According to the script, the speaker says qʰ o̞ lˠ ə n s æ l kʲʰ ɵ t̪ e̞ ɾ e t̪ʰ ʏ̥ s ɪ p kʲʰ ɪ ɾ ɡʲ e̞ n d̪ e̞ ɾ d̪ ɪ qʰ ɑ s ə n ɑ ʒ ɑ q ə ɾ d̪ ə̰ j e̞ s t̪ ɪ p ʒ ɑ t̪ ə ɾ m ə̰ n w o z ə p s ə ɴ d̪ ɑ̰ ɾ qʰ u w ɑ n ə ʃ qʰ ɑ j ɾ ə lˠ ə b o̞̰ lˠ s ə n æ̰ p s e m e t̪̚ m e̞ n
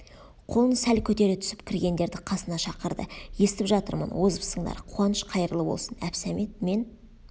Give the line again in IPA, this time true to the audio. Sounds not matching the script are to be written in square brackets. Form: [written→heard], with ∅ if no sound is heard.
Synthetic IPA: qʰ o̞ lˠ ə n s æ l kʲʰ ɵ t̪ e̞ ɾ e t̪ʰ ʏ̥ s ɪ p kʲʰ ɪ ɾ ɡʲ e̞ n d̪ e̞ ɾ d̪ ɪ qʰ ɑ s ə n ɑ [ʒ→ʃ] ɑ q ə ɾ d̪ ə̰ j e̞ s t̪ ɪ p ʒ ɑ t̪ ə ɾ m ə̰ n w o z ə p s ə ɴ d̪ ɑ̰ ɾ qʰ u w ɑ n ə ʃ qʰ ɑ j ɾ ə lˠ ə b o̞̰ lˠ s ə n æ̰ p s [e→æ] m e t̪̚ m e̞ n